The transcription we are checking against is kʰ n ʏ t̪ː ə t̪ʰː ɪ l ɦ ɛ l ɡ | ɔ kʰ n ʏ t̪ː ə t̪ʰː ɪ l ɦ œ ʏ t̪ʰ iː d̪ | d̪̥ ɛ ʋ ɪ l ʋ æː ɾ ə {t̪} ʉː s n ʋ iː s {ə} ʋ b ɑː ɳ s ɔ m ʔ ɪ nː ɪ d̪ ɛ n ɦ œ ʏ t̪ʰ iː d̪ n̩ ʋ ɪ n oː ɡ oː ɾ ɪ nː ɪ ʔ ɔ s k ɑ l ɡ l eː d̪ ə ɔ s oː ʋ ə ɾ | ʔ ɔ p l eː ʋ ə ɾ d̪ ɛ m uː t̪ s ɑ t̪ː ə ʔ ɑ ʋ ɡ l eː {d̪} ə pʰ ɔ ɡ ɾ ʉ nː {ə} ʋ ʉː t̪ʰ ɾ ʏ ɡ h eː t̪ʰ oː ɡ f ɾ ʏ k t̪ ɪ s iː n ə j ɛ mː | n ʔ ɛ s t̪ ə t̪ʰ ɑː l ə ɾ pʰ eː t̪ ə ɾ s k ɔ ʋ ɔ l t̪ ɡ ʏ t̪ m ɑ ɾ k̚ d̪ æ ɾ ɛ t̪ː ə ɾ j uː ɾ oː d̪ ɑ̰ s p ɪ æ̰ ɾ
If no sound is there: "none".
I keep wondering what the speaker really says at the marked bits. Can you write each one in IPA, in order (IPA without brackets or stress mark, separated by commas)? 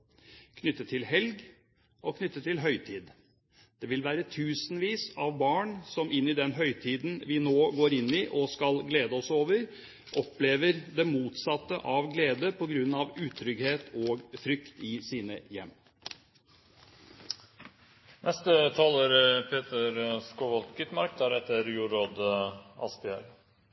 t̪ʰ, ɑ, d̪, ɑ